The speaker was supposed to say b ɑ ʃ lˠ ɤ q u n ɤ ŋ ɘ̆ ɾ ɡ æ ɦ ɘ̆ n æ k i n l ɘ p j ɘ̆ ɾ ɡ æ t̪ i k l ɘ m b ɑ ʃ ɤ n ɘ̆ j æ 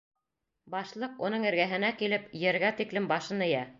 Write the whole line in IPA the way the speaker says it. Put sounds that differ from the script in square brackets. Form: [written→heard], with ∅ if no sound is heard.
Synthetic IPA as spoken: b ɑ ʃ lˠ ɤ q u n ɤ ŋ ɘ̆ ɾ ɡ æ ɦ ɘ̆ n æ k i [n→∅] l ɘ p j ɘ̆ ɾ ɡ æ t̪ i k l ɘ m b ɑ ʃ ɤ n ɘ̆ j æ